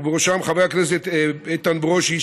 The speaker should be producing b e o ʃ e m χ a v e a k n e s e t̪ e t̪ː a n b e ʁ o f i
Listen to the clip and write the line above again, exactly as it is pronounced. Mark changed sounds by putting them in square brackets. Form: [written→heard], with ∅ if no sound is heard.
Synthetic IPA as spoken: b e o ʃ [e→a] m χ a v e a k n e s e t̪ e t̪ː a n b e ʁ o [f→ʃ] i